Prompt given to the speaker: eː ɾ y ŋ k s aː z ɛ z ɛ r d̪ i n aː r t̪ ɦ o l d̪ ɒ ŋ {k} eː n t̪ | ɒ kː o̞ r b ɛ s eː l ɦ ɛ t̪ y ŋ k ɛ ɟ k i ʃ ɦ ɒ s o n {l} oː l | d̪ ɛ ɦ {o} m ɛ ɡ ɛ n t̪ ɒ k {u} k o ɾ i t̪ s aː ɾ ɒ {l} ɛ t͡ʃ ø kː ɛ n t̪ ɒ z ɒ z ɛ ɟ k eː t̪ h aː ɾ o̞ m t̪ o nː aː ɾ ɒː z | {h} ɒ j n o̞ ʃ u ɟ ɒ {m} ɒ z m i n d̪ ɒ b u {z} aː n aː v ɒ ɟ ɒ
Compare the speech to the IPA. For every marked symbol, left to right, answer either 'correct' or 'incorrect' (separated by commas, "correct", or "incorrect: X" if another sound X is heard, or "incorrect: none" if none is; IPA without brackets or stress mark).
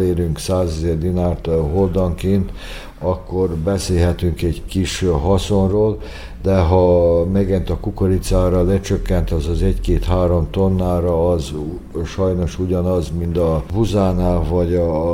correct, incorrect: r, incorrect: ɒ, correct, correct, incorrect: ʃ, incorrect: n, correct